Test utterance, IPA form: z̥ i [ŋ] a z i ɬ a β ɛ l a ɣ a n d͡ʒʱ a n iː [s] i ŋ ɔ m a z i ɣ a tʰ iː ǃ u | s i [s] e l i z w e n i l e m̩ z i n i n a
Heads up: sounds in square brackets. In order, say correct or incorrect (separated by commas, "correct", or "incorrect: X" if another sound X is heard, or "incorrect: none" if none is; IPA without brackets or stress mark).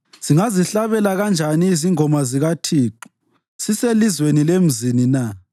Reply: correct, incorrect: z, correct